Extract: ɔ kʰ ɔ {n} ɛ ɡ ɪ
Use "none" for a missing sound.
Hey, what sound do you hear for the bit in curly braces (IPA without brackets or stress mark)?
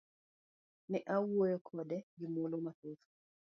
d